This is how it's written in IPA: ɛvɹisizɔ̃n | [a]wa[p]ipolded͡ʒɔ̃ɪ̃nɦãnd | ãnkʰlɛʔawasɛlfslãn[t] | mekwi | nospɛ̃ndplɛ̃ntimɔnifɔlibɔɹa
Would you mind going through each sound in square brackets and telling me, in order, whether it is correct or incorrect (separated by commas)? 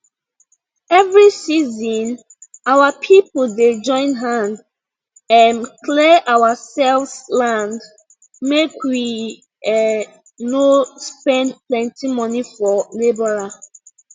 correct, incorrect, incorrect